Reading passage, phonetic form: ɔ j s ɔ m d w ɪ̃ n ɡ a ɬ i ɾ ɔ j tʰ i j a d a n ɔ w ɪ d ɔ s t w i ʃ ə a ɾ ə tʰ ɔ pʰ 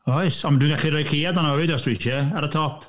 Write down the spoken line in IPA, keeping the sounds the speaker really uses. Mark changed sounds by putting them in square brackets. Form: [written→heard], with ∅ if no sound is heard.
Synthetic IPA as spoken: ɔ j s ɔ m d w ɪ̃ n ɡ a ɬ i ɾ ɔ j [tʰ→kʰ] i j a d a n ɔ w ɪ d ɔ s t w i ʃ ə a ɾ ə tʰ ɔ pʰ